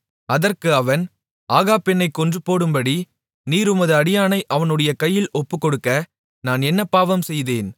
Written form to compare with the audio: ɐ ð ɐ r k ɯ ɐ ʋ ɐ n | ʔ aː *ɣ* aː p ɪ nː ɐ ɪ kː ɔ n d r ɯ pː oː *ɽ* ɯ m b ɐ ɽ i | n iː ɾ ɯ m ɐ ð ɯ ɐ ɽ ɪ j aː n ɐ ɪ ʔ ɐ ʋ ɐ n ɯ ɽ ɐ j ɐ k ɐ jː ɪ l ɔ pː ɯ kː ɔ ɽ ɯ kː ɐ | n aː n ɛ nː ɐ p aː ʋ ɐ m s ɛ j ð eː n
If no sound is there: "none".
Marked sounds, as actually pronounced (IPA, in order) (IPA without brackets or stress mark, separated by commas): ɣ, ɽ